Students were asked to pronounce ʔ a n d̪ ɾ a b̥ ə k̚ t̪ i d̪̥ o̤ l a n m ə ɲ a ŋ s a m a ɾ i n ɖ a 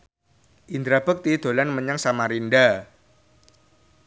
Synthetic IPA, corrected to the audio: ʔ i n d̪ ɾ a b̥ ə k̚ t̪ i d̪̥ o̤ l a n m ə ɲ a ŋ s a m a ɾ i n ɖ a